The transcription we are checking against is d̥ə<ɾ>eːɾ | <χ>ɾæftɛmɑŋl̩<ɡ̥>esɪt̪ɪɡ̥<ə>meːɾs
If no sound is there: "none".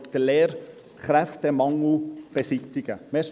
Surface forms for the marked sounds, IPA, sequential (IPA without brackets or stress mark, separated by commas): l, χ, b̥, ə